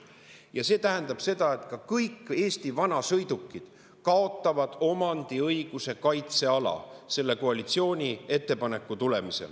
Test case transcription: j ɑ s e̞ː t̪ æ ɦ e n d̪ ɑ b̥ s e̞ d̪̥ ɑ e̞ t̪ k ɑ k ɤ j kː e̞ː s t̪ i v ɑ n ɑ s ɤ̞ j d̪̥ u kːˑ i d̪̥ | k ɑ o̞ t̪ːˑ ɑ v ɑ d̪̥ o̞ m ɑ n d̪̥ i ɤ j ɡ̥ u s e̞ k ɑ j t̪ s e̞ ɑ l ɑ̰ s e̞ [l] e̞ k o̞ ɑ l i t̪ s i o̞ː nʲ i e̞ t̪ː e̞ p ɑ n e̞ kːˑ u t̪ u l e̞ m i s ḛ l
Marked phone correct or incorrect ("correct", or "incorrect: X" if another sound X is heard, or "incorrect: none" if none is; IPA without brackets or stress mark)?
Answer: incorrect: lː